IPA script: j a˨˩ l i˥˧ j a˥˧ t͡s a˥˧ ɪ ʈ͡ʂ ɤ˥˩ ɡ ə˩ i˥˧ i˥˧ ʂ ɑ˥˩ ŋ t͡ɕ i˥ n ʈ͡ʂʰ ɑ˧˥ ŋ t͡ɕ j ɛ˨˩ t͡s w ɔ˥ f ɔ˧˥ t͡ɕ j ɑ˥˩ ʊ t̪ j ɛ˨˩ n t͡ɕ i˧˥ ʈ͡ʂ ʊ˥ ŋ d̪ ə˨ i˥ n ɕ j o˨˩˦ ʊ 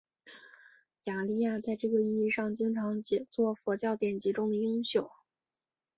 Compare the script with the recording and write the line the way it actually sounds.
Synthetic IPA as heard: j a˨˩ l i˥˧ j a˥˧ t͡s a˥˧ ɪ ʈ͡ʂ ɤ˥˩ ɡ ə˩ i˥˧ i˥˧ ʂ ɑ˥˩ ŋ t͡ɕ i˥ ŋ ʈ͡ʂʰ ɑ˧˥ ŋ t͡ɕ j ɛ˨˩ t͡s w ɔ˥˩ f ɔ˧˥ t͡ɕ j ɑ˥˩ ʊ t̪ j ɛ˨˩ n t͡ɕ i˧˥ ʈ͡ʂ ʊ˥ ŋ d̪ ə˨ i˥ ŋ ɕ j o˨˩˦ ʊ

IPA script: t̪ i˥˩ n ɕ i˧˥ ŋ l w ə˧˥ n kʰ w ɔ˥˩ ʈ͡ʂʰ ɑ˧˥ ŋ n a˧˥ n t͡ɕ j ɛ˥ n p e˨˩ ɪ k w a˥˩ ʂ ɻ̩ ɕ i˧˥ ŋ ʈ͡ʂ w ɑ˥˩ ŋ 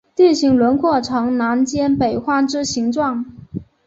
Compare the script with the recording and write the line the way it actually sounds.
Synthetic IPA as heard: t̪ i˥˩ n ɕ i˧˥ ŋ l w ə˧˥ n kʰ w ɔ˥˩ ʈ͡ʂʰ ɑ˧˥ ŋ n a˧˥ n t͡ɕ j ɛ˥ n p e˨˩ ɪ x w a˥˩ ʈ͡ʂ ɻ̩ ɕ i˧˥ ŋ ʈ͡ʂ w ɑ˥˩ ŋ

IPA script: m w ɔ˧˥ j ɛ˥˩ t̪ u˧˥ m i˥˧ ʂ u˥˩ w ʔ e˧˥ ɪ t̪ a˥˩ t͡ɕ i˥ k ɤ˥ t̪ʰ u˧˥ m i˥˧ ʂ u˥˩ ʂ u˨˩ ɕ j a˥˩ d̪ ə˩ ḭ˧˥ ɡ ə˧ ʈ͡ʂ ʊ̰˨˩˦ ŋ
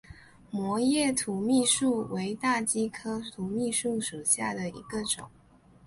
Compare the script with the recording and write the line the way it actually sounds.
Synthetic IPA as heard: m w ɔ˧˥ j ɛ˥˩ t̪ʰ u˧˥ m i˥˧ ʂ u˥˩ w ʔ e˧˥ ɪ t̪ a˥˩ t͡ɕ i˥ kʰ ɤ˥ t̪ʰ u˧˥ m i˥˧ ʂ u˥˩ ʂ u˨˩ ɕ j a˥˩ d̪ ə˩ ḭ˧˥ ɡ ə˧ ʈ͡ʂ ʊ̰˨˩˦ ŋ

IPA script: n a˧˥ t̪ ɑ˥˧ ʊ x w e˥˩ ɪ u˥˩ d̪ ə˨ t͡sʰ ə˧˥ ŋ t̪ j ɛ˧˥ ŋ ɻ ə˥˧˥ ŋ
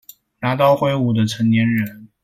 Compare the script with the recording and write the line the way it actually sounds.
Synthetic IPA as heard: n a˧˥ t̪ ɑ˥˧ ʊ x w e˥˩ ɪ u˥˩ d̪ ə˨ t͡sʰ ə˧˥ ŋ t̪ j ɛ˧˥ n ɻ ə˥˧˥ n

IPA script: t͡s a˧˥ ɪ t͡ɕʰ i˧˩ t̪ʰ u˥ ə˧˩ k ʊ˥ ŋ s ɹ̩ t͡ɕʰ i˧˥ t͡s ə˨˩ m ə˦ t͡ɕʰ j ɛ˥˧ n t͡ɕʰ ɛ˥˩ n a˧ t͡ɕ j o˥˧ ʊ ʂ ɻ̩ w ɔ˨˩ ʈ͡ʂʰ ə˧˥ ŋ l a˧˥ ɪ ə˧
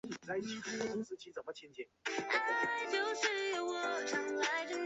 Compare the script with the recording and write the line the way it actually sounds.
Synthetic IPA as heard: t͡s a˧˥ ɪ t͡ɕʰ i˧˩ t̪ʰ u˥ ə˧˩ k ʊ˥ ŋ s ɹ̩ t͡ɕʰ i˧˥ t͡s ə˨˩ m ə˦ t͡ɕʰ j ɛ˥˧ n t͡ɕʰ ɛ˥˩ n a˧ t͡ɕ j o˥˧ ʊ ʂ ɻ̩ w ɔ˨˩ ʈ͡ʂʰ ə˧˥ ŋ l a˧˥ ɪ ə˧

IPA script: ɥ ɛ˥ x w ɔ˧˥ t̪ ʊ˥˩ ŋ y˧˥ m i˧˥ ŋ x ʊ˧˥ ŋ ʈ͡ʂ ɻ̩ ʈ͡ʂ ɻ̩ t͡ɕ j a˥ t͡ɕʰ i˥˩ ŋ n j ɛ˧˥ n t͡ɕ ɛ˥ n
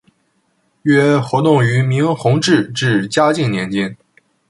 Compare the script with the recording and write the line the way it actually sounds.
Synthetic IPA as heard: ɥ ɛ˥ x w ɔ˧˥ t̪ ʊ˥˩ ŋ y˧˥ m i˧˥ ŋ x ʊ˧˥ ŋ ʈ͡ʂ ɻ̩ ʈ͡ʂ ɻ̩ t͡ɕ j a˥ t͡ɕ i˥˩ ŋ n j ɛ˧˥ n t͡ɕ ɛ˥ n

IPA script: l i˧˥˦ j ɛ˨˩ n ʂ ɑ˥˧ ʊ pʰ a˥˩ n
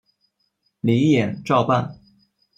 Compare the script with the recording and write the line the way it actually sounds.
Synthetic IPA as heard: l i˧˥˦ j ɛ˨˩ n ʈ͡ʂ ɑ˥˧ ʊ p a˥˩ n

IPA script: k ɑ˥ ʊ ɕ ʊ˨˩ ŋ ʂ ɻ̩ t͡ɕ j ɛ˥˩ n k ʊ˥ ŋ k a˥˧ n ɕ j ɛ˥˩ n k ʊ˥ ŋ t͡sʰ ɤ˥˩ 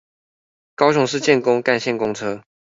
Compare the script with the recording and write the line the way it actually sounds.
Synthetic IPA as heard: k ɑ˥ ʊ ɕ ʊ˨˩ ŋ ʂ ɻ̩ t͡ɕ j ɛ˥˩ n k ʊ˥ ŋ k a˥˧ n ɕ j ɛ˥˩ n k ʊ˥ ŋ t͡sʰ ɤ˥

